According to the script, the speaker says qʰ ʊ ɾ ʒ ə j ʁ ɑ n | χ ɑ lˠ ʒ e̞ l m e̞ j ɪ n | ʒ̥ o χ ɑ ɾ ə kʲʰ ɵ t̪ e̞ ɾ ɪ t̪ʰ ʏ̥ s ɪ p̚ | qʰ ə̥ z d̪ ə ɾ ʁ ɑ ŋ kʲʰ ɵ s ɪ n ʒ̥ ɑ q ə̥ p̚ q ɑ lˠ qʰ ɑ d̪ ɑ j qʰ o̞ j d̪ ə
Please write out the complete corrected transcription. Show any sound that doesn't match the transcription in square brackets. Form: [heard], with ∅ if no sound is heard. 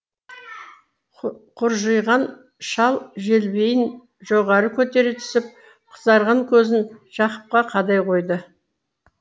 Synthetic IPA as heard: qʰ ʊ ɾ ʒ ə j ʁ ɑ n | [ʃ] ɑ lˠ ʒ e̞ l [b] e̞ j ɪ n | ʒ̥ o [ʁ] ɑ ɾ ə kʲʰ ɵ t̪ e̞ ɾ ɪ t̪ʰ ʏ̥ s ɪ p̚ | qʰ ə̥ z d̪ [ɑ] ɾ ʁ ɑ ŋ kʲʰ ɵ [z] ɪ n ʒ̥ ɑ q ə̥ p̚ q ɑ [∅] qʰ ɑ d̪ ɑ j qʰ o̞ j d̪ ə